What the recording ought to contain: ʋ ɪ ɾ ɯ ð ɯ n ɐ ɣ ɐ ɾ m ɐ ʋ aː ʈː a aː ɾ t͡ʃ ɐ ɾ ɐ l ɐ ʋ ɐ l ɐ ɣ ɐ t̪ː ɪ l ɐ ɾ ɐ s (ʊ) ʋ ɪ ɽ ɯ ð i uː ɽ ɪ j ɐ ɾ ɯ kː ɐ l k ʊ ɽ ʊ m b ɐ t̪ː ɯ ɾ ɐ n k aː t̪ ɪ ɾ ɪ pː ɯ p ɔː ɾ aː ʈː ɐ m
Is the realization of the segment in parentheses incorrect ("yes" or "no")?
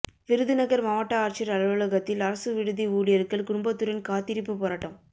yes